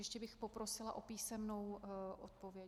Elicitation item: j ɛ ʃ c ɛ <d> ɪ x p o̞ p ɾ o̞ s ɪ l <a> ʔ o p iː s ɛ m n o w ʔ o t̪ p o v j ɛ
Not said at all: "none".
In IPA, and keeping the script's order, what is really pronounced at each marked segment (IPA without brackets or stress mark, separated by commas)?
b, a